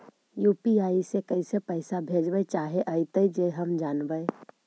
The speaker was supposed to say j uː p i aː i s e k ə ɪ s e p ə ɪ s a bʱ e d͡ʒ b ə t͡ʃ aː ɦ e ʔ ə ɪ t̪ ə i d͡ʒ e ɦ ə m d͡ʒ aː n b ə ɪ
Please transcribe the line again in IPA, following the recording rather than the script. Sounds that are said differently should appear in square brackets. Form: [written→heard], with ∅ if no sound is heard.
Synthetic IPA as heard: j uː p i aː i s e k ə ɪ s e p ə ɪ s a bʱ e d͡ʒ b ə t͡ʃ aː ɦ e ʔ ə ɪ t̪ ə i d͡ʒ e ɦ ə m d͡ʒ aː n b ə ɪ